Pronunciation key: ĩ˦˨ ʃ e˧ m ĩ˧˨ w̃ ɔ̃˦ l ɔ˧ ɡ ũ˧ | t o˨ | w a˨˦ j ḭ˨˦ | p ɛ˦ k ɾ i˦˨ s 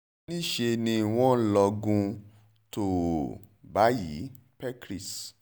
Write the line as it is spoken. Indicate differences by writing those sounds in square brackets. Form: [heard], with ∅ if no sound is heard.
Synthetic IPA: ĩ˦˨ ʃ e˧ [n] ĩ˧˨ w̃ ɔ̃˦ l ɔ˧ ɡ ũ˧ | t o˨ | [b] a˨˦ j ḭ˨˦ | p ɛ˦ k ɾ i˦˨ s